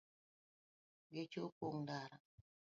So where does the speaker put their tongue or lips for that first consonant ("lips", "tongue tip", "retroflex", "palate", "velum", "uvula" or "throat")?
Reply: velum